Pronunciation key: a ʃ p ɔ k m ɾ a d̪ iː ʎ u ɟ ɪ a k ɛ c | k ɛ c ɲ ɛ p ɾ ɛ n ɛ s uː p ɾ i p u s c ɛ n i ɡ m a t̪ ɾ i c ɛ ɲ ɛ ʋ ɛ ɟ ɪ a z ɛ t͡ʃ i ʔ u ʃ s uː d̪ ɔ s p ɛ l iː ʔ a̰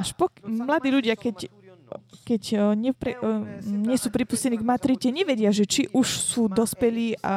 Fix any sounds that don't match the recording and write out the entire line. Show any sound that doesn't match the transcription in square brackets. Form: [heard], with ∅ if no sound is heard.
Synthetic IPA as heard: a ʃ p ɔ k m [l] a d̪ iː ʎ u ɟ ɪ a k ɛ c | k ɛ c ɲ ɛ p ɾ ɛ [ɲ] ɛ s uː p ɾ i p u s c ɛ n i ɡ m a t̪ ɾ i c ɛ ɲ ɛ ʋ ɛ ɟ ɪ a [ʒ] ɛ t͡ʃ i ʔ u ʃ s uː d̪ ɔ s p ɛ l iː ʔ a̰